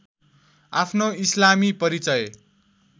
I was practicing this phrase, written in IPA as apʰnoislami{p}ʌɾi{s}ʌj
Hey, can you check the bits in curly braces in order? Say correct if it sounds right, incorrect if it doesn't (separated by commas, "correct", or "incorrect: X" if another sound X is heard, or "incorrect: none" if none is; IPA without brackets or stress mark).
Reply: correct, incorrect: t͡s